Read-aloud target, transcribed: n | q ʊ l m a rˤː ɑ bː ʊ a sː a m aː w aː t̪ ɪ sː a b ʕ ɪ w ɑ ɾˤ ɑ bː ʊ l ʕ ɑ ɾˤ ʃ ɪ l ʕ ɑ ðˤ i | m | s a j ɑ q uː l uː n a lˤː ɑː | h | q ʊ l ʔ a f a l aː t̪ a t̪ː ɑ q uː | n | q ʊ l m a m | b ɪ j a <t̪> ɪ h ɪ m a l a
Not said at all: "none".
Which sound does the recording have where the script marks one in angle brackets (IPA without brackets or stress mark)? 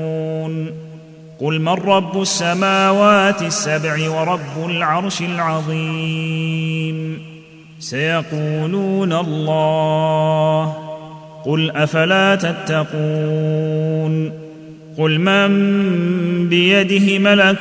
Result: d̪